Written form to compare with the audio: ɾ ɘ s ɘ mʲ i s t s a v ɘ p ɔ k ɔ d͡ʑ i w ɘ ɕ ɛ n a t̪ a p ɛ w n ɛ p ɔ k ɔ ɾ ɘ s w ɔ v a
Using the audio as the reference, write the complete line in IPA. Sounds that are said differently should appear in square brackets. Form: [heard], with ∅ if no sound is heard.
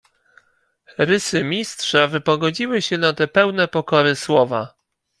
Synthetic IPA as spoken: ɾ ɘ s ɘ mʲ i s t [ʂ] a v ɘ p ɔ [ɡ] ɔ d͡ʑ i w ɘ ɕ ɛ n a t̪ [ɛ] p ɛ w n ɛ p ɔ k ɔ ɾ ɘ s w ɔ v a